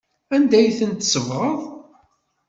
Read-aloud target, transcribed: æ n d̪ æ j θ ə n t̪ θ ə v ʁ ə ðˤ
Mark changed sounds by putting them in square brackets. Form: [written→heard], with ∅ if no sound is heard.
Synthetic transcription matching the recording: æ n d̪ æ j θ ə n t̪ [θ→s] ə v ʁ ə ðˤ